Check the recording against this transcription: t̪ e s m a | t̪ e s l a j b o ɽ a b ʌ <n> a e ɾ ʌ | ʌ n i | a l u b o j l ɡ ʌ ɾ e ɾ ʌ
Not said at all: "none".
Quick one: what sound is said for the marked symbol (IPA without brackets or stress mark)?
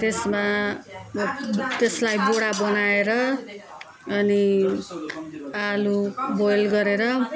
n